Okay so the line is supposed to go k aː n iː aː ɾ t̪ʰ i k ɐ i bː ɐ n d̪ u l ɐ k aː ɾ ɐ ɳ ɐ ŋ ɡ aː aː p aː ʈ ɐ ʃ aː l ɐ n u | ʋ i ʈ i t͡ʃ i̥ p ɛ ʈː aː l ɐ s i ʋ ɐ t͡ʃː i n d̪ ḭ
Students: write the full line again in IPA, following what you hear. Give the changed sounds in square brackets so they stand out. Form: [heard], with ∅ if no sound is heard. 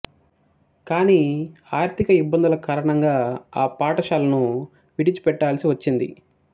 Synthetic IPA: k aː n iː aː ɾ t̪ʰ i k ɐ i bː ɐ n d̪ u l ɐ k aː ɾ ɐ ɳ ɐ ŋ ɡ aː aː p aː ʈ ɐ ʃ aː l ɐ n u | ʋ i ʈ i t͡ʃ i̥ p ɛ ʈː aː l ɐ s i ʋ ɐ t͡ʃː i n d̪ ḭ

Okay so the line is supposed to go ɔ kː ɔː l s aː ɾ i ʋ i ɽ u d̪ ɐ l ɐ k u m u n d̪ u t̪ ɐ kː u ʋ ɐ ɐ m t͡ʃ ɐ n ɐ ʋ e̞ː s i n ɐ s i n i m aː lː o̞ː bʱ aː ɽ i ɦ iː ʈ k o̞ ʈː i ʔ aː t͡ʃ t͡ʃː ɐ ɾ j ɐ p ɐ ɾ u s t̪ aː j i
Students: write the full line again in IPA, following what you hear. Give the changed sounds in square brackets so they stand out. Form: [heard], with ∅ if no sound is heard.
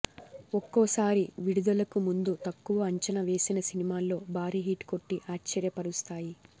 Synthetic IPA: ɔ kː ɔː [∅] s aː ɾ i ʋ i ɽ u d̪ ɐ l ɐ k u m u n d̪ u t̪ ɐ kː u ʋ ɐ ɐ [ɲ] t͡ʃ ɐ n ɐ ʋ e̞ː s i n ɐ s i n i m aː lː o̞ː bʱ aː [ɾ] i ɦ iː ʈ k o̞ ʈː i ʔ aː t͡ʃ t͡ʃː ɐ ɾ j ɐ p ɐ ɾ u s t̪ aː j i

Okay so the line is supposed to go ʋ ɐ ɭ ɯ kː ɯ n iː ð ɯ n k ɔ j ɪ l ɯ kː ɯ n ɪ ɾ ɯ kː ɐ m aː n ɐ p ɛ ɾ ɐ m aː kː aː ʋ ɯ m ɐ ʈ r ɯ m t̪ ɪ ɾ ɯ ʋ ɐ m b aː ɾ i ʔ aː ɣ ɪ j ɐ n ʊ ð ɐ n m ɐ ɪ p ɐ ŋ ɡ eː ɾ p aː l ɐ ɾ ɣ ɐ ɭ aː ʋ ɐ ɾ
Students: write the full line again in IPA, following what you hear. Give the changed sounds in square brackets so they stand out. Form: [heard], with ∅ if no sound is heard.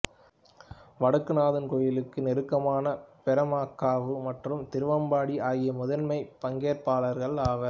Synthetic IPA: ʋ ɐ [ɽ] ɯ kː ɯ n [aː] ð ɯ n k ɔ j ɪ l ɯ kː ɯ n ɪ ɾ ɯ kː ɐ m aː n ɐ p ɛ ɾ ɐ m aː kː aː ʋ ɯ m ɐ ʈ r ɯ m t̪ ɪ ɾ ɯ ʋ ɐ m b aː [ɽ] i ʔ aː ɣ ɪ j ɐ [m] ʊ ð ɐ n m ɐ ɪ p ɐ ŋ ɡ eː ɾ p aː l ɐ ɾ ɣ ɐ ɭ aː ʋ ɐ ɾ

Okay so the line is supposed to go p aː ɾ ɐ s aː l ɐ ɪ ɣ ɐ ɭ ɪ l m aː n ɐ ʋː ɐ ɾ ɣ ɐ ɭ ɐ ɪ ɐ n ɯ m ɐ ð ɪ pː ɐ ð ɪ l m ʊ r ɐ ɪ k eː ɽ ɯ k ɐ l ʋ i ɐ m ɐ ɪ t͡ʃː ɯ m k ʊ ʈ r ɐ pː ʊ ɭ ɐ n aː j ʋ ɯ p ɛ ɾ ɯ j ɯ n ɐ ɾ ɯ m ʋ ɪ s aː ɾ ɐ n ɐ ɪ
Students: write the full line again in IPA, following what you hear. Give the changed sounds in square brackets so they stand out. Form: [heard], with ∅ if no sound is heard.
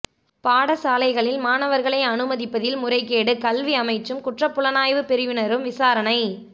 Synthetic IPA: p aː [ɽ] ɐ s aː l ɐ ɪ ɣ ɐ ɭ ɪ l m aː n ɐ [ʋ] ɐ ɾ ɣ ɐ ɭ ɐ ɪ ɐ n ɯ m ɐ ð ɪ pː ɐ ð ɪ l m ʊ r ɐ ɪ k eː ɽ ɯ k ɐ l ʋ i ɐ m ɐ ɪ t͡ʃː ɯ m k ʊ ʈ r ɐ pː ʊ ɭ ɐ n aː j ʋ ɯ p ɛ ɾ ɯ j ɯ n ɐ ɾ ɯ m ʋ ɪ s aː ɾ ɐ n ɐ ɪ

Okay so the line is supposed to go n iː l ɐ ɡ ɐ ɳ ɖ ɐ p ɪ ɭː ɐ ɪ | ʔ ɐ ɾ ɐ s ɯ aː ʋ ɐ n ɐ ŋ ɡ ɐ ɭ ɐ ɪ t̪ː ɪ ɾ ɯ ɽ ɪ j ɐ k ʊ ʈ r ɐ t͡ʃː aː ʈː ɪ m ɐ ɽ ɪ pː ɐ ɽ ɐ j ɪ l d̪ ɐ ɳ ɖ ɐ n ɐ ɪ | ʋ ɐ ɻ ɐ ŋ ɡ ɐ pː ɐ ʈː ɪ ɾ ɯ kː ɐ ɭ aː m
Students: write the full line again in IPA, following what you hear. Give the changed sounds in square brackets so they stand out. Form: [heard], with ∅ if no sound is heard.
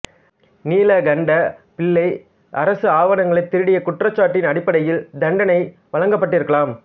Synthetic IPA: n iː l ɐ ɡ ɐ ɳ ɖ ɐ p ɪ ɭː ɐ ɪ | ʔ ɐ ɾ ɐ s ɯ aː ʋ ɐ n ɐ ŋ ɡ ɐ ɭ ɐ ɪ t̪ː ɪ ɾ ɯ ɽ ɪ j ɐ k ʊ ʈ r ɐ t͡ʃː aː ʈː ɪ [n] ɐ ɽ ɪ pː ɐ ɽ ɐ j ɪ l d̪ ɐ ɳ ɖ ɐ n ɐ ɪ | ʋ ɐ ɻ ɐ ŋ ɡ ɐ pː ɐ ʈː ɪ ɾ ɯ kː ɐ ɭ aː m

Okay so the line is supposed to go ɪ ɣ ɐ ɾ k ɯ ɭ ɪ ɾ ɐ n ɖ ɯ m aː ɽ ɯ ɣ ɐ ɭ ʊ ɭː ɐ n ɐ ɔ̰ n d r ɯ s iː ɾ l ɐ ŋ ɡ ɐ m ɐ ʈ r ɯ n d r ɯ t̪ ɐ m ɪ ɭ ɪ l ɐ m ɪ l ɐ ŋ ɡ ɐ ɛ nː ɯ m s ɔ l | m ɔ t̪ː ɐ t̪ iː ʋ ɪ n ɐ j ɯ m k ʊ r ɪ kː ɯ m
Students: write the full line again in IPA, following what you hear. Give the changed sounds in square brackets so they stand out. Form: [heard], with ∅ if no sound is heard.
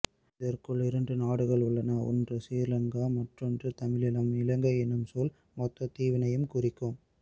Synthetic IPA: ɪ [ð] ɐ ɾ k ɯ ɭ ɪ ɾ ɐ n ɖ ɯ [n] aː ɽ ɯ ɣ ɐ ɭ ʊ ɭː ɐ n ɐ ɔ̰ n d r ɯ s iː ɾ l ɐ ŋ ɡ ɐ m ɐ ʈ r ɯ n d r ɯ t̪ ɐ m ɪ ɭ ɪ l ɐ m ɪ l ɐ ŋ ɡ ɐ ɛ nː ɯ m s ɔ l | m ɔ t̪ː ɐ t̪ iː ʋ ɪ n ɐ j ɯ m k ʊ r ɪ kː ɯ m

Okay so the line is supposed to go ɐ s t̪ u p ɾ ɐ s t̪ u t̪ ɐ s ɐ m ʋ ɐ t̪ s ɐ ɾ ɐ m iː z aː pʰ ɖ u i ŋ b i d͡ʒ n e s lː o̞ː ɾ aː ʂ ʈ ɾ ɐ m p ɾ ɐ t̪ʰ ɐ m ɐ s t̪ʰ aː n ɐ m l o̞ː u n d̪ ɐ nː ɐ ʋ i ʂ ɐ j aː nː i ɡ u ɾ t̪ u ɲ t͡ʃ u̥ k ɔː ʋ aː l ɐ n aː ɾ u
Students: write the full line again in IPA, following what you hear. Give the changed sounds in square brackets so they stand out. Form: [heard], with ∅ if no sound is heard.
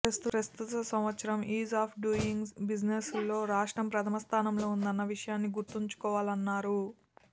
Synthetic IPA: ɐ s t̪ u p ɾ ɐ s t̪ u t̪ ɐ s ɐ m ʋ ɐ t̪ s ɐ ɾ ɐ m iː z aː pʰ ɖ u i ŋ b i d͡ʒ n e s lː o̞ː ɾ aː ʂ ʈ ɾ ɐ m p ɾ ɐ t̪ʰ ɐ m ɐ s t̪ʰ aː n ɐ m l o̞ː u n d̪ ɐ nː ɐ ʋ i ʂ ɐ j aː nː i ɡ u ɾ t̪ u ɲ t͡ʃ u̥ k ɔː ʋ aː l ɐ [nː] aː ɾ u

